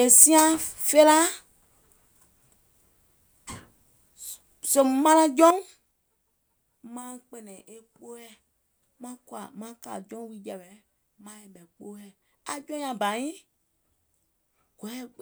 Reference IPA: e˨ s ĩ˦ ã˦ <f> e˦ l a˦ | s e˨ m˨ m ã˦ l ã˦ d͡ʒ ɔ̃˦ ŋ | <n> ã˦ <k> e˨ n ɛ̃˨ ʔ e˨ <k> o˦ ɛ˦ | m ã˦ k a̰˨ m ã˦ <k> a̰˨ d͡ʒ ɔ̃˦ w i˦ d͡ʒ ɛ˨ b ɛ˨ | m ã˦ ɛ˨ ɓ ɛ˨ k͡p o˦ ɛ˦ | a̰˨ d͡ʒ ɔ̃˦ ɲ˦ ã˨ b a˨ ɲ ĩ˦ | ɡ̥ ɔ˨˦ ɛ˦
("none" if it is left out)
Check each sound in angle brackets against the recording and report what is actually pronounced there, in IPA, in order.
f, m, k͡p, k͡p, k

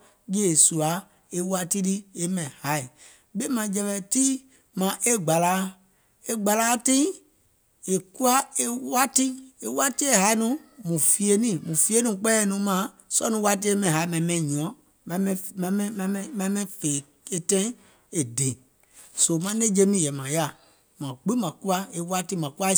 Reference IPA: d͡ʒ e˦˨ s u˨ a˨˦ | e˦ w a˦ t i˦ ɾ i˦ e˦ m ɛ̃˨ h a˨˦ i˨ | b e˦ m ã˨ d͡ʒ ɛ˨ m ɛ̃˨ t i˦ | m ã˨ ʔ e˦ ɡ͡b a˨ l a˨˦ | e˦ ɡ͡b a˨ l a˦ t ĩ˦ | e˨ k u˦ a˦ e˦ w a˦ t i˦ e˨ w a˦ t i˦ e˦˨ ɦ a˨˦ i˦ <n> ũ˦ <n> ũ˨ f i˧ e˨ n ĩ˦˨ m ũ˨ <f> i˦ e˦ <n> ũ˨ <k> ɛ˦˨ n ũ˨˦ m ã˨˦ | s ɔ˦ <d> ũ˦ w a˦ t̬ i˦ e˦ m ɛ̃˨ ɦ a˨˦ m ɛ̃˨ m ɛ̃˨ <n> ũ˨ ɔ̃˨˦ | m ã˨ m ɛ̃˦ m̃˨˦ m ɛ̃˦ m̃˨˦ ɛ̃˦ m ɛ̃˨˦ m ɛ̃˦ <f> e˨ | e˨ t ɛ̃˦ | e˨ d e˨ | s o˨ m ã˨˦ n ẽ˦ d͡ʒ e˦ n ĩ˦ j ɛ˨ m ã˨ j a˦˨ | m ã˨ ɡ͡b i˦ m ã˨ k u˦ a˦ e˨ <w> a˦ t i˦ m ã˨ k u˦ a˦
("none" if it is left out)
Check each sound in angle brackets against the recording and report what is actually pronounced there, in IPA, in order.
n, m, f, n, k͡p, n, ɲ, f, w

